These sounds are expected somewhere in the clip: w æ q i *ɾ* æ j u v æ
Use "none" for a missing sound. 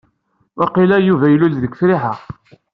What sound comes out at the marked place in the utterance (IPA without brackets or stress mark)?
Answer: l